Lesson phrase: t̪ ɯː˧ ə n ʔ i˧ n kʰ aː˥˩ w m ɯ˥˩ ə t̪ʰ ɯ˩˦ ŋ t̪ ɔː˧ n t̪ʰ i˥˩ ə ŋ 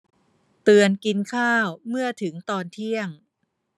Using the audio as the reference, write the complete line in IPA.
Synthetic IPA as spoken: t̪ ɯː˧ ə n k i˧ n kʰ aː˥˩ w m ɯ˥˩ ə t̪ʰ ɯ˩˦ ŋ t̪ ɔː˧ n t̪ʰ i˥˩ ə ŋ